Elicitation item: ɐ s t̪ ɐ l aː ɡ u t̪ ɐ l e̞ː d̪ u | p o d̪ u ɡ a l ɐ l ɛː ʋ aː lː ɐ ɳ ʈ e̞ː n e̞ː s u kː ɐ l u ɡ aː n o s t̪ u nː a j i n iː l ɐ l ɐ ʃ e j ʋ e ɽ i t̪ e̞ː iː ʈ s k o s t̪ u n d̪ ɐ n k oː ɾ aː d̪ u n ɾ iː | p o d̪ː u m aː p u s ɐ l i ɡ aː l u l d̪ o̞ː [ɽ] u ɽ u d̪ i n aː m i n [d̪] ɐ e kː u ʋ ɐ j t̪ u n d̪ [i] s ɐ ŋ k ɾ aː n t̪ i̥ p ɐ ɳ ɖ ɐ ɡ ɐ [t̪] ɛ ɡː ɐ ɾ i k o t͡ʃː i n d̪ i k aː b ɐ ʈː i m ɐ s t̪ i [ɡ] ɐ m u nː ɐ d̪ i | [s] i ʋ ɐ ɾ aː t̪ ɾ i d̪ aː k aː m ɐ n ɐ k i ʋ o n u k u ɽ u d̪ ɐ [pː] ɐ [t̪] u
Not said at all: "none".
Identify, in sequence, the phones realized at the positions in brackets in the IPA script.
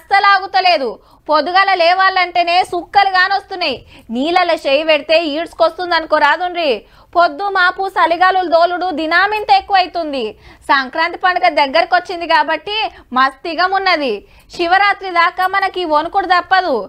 l, t̪, i, d̪, ɡ, ʃ, pː, d̪

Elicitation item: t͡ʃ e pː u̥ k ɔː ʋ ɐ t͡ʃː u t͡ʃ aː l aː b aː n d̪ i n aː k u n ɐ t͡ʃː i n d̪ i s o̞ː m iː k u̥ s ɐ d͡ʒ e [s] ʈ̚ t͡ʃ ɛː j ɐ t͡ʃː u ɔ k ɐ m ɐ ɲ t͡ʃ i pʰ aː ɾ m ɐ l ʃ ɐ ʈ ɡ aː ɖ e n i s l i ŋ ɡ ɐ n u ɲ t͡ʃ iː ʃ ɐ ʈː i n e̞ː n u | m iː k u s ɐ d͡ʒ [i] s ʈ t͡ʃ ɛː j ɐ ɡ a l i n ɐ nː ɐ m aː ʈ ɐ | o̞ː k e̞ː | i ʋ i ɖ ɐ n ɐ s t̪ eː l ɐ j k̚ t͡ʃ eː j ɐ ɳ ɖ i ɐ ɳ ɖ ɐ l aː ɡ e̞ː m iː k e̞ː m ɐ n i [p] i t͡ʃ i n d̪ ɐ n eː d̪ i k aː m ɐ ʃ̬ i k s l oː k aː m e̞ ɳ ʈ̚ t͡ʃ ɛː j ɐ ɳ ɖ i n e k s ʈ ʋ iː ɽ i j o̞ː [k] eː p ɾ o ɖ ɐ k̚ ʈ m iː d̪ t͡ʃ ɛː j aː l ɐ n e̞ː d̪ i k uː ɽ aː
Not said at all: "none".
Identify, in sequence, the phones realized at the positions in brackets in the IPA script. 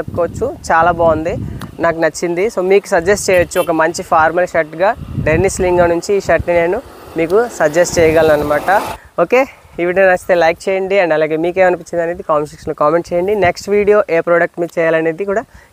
s, e, p, ʔ

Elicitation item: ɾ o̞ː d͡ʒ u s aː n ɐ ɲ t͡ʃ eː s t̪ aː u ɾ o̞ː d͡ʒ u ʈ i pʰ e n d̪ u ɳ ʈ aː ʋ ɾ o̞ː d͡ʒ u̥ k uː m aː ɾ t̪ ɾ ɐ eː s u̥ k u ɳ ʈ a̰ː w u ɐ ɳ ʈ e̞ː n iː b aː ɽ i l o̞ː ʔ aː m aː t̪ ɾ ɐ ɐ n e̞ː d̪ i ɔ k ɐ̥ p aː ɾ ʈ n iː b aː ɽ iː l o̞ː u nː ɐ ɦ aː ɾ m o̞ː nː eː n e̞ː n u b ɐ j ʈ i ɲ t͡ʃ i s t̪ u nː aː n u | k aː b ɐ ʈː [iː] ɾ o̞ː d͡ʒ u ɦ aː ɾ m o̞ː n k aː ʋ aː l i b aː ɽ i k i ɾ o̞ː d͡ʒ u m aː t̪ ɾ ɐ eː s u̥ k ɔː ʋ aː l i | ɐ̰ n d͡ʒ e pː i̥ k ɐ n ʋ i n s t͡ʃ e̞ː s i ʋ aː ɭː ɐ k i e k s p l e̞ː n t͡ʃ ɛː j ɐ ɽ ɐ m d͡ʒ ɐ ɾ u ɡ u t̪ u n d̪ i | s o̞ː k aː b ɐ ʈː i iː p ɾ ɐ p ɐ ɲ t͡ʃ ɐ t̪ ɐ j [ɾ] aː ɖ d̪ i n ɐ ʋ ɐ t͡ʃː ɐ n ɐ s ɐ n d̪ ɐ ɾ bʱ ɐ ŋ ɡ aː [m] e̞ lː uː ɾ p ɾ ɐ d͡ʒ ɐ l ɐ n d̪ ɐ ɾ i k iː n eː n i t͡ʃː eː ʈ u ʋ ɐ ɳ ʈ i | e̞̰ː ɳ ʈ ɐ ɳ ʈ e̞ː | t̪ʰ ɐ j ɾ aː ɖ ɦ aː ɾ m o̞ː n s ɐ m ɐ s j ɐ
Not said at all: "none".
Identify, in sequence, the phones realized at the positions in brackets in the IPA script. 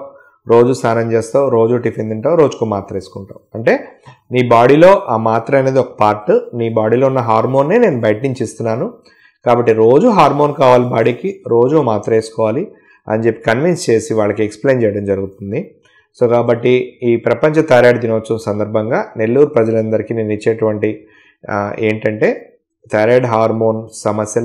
i, ɾ, n

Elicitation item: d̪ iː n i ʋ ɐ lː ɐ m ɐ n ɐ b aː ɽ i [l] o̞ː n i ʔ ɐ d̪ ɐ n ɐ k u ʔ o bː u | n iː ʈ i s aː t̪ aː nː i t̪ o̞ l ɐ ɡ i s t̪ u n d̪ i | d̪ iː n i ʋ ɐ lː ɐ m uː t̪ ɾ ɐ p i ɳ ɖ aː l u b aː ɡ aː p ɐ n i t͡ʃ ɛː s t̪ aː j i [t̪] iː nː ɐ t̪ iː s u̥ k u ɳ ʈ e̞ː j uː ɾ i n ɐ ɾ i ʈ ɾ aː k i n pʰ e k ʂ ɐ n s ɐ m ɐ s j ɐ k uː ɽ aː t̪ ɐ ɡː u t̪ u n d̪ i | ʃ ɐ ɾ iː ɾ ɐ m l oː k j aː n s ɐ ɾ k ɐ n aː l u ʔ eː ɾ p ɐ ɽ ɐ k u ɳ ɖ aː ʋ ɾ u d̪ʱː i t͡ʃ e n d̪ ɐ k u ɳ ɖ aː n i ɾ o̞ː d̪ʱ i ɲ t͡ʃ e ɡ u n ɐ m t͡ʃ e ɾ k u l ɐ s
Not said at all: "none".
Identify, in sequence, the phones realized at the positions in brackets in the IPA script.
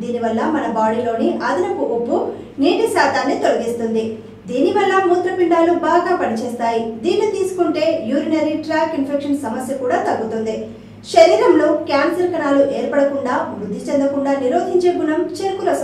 l, d̪

